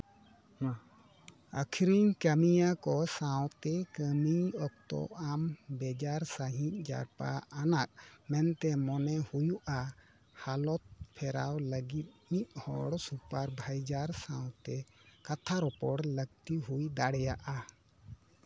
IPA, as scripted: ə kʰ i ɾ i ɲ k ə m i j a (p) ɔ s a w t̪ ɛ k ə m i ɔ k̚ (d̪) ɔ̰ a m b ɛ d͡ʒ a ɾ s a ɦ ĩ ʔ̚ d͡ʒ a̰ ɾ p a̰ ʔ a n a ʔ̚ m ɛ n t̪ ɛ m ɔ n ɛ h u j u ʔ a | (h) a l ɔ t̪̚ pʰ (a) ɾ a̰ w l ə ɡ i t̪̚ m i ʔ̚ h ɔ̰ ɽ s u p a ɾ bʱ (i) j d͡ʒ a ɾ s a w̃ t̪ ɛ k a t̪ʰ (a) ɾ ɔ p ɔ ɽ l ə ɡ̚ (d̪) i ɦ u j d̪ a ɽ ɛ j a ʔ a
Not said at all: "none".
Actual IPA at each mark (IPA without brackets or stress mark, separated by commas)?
k, t̪, h, ɛ, a, a, t̪